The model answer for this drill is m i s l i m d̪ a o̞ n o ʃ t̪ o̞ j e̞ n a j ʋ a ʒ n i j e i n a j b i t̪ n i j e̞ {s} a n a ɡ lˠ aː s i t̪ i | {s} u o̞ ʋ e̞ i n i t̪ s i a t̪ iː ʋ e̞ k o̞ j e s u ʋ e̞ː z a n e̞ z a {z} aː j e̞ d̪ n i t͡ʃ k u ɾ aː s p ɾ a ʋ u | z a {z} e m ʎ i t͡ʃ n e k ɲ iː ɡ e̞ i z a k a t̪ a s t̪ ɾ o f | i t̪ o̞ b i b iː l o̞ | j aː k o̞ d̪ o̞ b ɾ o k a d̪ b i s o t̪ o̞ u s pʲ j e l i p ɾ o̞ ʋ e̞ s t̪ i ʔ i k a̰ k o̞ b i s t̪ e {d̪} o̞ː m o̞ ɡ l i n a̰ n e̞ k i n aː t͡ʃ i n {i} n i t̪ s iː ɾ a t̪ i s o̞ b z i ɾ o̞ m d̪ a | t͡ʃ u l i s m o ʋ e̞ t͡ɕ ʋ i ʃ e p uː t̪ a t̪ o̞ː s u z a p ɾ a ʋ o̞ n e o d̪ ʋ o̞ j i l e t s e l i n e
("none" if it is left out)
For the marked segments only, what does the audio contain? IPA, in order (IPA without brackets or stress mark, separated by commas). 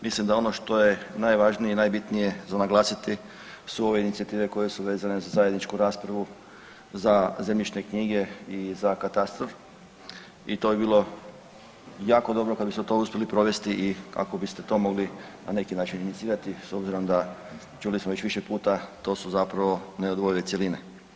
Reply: z, s, z, z, t̪, i